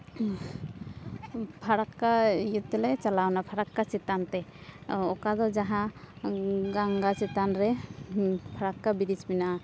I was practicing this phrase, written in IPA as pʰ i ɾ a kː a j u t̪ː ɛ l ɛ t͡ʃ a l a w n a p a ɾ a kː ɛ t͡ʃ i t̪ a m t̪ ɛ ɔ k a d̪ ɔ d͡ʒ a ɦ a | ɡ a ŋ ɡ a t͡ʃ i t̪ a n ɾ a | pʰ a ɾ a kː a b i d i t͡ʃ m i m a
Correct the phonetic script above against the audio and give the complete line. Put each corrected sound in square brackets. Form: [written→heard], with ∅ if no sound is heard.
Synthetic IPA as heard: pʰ [i→a] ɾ a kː a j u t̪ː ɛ l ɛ t͡ʃ a l a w n a [p→pʰ] a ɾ a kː [ɛ→a] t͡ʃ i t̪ a [m→n] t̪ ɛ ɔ k a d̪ ɔ d͡ʒ a ɦ a | ɡ a ŋ ɡ a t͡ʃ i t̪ a n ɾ [a→ɛ] | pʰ a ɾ a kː a b i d i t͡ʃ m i [m→n] a